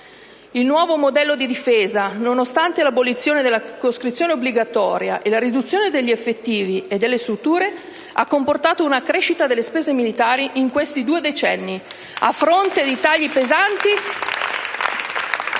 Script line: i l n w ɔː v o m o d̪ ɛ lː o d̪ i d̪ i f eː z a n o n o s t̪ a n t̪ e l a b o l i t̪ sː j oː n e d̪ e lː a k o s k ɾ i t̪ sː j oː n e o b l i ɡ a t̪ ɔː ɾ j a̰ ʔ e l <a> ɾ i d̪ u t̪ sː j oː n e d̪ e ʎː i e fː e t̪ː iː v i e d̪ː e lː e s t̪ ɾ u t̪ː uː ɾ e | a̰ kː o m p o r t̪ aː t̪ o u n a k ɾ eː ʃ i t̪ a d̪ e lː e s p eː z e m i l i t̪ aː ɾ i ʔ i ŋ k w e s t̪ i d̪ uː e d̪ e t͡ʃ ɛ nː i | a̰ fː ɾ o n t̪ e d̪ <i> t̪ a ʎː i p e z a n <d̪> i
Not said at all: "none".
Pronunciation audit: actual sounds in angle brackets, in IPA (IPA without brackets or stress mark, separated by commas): a, i, t̪